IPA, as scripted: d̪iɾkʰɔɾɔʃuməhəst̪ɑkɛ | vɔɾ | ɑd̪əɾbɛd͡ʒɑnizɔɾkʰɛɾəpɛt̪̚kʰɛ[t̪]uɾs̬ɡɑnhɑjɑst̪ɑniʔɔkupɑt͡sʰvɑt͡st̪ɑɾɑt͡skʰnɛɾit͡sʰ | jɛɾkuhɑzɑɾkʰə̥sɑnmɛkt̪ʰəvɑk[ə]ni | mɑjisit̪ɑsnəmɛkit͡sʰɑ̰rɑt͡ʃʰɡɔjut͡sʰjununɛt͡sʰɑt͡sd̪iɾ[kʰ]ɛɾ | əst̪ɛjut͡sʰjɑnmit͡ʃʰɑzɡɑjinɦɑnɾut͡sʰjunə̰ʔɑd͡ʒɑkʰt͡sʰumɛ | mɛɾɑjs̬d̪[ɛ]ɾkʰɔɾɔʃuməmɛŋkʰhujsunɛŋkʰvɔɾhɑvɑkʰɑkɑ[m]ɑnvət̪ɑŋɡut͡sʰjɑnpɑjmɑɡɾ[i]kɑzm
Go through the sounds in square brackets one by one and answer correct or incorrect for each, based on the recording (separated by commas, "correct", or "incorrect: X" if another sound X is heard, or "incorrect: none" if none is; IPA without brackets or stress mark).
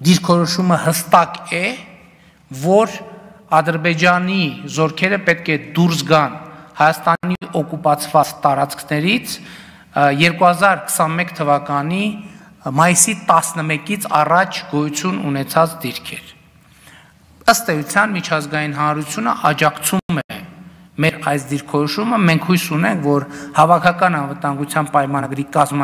incorrect: d̪, incorrect: ɑ, correct, incorrect: i, incorrect: n, correct